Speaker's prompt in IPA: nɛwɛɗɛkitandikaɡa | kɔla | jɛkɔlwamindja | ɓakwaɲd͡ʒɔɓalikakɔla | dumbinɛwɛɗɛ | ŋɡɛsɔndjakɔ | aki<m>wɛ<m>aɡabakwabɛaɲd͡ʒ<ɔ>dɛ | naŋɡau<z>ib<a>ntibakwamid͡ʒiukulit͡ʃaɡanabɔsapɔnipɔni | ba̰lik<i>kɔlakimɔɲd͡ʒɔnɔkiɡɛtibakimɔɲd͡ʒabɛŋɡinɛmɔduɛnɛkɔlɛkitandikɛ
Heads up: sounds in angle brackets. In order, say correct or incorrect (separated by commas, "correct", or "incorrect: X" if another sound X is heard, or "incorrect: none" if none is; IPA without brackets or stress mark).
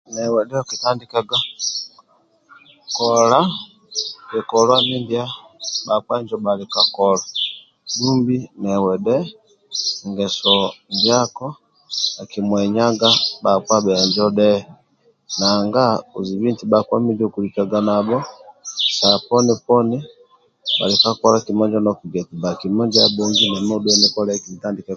correct, incorrect: ɲ, correct, correct, incorrect: i, incorrect: a